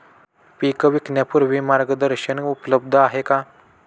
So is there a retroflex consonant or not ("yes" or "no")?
no